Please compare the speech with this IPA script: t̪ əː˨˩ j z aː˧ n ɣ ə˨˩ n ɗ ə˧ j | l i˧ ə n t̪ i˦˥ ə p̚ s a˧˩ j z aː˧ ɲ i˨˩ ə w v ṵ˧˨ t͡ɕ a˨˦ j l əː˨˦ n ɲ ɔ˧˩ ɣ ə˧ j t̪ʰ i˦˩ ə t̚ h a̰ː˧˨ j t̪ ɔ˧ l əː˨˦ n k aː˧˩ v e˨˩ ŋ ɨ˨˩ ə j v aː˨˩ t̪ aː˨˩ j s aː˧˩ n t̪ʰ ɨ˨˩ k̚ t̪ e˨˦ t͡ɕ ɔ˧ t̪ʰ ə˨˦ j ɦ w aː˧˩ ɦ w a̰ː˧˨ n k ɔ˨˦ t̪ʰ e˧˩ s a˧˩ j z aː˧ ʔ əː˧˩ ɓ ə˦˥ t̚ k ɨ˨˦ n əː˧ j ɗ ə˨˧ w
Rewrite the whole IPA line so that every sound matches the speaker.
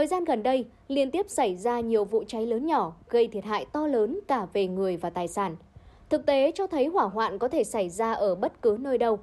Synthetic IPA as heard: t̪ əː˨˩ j z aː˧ n ɣ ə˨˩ n ɗ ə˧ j | l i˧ ə n t̪ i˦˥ ə p̚ s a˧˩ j z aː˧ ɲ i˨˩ ə w v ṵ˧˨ t͡ɕ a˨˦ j l əː˨˦ n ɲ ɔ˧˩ ɣ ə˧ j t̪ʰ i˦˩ ə t̚ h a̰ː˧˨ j t̪ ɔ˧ l əː˨˦ n k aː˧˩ v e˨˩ ŋ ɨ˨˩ ə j v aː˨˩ t̪ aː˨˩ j s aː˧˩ n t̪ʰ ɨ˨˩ k̚ t̪ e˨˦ t͡ɕ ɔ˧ t̪ʰ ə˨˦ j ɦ w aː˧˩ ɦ w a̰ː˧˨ n k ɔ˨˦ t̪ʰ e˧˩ s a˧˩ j z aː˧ ʔ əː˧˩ ɓ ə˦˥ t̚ k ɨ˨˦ n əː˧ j ɗ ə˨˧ w